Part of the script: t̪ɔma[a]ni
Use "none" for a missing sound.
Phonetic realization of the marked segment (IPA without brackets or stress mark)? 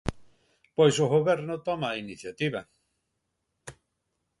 i